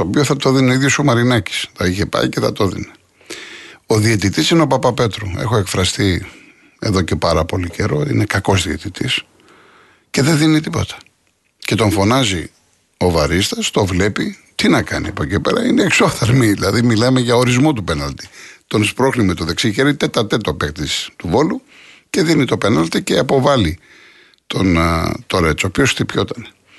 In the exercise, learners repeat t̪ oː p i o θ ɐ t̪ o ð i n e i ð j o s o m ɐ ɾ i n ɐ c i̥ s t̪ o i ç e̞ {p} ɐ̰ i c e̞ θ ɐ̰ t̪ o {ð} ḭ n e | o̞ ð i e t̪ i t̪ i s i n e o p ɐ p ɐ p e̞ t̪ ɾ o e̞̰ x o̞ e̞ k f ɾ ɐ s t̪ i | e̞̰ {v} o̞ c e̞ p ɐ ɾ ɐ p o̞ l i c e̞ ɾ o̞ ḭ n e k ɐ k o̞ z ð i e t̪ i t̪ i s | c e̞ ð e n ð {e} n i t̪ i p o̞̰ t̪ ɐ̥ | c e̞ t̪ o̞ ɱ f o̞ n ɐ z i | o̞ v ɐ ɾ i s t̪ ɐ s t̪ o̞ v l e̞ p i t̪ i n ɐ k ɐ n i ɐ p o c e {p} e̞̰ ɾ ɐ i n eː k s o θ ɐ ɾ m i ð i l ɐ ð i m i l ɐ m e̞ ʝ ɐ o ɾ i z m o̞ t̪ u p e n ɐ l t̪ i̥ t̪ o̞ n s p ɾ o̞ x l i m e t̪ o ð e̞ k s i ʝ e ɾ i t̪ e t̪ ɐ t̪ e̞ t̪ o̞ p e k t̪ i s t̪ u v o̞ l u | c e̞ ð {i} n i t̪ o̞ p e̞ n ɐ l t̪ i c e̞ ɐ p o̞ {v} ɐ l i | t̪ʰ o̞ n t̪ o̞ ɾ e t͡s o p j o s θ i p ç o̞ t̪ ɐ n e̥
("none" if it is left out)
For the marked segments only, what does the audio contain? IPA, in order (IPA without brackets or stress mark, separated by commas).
p, ð, ð, i, p, i, v